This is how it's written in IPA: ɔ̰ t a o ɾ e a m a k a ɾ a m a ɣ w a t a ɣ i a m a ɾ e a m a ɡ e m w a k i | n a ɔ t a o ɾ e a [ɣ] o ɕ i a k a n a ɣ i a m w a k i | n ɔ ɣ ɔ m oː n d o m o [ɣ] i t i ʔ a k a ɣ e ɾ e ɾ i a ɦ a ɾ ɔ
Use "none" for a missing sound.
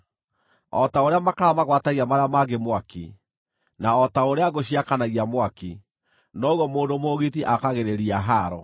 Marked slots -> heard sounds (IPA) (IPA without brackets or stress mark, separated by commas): ɣ, ɣ